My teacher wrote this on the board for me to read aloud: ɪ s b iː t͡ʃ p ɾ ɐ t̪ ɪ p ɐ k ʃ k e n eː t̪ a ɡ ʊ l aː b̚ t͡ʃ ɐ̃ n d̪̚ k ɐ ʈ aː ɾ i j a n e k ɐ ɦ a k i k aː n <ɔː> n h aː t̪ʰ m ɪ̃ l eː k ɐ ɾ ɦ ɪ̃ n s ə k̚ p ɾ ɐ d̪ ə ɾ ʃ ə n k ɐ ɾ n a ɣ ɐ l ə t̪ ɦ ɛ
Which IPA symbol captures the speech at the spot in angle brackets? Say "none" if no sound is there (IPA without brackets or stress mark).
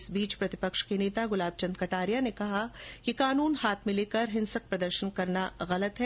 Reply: uː